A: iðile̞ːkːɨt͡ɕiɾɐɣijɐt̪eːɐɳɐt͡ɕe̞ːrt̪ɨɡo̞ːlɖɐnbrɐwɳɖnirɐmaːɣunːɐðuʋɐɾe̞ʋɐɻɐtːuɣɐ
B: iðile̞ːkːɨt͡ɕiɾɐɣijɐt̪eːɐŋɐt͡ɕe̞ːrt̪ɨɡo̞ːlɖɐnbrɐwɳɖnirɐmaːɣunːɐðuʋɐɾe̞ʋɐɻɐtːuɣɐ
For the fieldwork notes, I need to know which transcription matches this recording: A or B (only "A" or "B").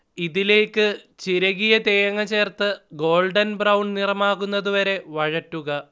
B